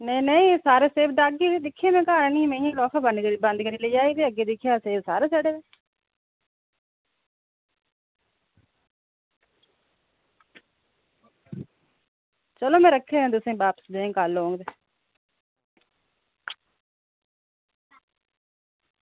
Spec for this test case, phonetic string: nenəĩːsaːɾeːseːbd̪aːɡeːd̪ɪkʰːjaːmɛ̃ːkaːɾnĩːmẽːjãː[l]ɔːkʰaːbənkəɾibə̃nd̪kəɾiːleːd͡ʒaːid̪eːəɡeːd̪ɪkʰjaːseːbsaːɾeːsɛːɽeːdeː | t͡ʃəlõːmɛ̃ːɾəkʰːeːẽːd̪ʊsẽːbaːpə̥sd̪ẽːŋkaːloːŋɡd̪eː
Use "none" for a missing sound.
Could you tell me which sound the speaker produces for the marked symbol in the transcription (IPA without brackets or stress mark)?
l